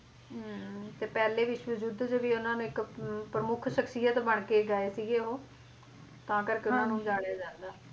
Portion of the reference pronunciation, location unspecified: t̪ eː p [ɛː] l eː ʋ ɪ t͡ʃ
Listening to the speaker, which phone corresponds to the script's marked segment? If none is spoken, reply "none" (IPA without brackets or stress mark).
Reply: ɛː